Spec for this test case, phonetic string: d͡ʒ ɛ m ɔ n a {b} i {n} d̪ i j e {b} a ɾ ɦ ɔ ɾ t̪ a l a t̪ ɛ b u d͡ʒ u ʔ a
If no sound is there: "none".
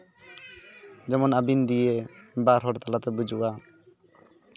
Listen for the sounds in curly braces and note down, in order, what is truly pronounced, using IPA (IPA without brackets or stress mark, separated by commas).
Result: b, n, b